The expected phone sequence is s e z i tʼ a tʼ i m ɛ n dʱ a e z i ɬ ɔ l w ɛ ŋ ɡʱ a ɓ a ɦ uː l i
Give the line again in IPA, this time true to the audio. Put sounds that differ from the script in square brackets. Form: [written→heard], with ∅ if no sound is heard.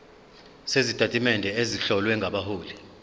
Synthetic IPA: s e z i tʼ a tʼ i m ɛ n dʱ [a→ɛ] e z i ɬ ɔ l w ɛ ŋ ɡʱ a ɓ a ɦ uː l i